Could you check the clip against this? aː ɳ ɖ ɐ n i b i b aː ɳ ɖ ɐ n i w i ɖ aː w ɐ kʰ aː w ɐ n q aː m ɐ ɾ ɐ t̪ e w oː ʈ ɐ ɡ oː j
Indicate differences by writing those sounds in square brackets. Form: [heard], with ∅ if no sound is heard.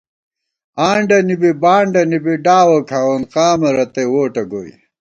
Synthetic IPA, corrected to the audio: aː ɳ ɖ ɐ n i b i b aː ɳ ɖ ɐ n i [b] i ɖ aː w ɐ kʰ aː w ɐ n q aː m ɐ ɾ ɐ t̪ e w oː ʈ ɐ ɡ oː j